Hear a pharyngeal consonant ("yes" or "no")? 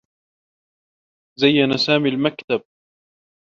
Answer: no